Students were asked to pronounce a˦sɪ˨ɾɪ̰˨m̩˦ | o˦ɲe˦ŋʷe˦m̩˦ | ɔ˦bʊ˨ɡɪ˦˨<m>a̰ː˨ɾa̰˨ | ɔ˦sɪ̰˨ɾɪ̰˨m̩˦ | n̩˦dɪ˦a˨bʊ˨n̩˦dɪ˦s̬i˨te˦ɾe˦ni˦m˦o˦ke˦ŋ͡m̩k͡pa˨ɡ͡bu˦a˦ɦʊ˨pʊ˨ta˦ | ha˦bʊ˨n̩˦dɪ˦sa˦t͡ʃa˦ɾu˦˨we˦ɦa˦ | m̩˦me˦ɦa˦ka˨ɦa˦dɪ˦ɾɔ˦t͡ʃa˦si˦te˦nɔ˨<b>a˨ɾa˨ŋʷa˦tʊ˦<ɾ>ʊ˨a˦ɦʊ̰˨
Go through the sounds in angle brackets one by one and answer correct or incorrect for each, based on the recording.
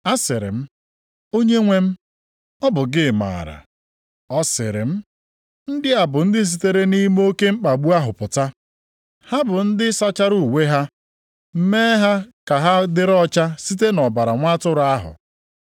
correct, correct, correct

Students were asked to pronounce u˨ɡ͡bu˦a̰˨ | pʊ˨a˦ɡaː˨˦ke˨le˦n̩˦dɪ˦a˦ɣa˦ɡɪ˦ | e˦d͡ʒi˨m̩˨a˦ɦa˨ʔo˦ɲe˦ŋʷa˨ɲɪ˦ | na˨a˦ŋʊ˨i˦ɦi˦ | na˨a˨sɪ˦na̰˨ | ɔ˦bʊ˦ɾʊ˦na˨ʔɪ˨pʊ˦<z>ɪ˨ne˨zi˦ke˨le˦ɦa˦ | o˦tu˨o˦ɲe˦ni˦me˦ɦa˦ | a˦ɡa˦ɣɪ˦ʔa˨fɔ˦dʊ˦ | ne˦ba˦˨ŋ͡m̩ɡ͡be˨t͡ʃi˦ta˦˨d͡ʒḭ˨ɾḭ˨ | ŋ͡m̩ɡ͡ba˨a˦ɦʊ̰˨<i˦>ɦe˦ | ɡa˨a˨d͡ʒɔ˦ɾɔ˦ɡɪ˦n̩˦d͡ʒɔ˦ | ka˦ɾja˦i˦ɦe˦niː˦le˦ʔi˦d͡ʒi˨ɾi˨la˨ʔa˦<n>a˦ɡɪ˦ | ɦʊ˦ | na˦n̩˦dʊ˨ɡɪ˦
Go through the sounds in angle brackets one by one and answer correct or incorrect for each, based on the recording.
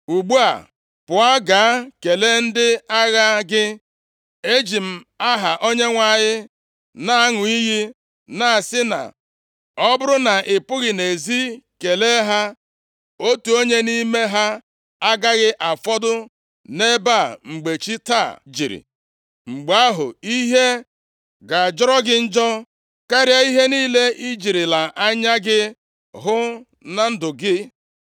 incorrect: ɣ, correct, incorrect: ɲ

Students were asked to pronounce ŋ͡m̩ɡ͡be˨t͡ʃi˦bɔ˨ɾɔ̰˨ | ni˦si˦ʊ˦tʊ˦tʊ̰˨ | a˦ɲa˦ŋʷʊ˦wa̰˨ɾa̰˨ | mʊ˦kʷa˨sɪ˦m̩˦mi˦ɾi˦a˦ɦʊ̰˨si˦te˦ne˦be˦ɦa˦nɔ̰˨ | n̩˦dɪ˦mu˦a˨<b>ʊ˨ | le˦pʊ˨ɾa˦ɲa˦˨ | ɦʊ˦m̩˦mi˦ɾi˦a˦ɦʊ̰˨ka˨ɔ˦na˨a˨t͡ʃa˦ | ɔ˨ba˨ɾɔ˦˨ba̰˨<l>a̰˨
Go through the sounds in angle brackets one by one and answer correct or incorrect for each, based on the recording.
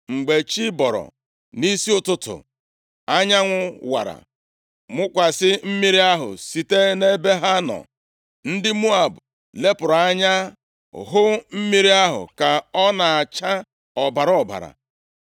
correct, incorrect: ɾ

